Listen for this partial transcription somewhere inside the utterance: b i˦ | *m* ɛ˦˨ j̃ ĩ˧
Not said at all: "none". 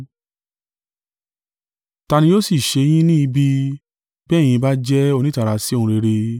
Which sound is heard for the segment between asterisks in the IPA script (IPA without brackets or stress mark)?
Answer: b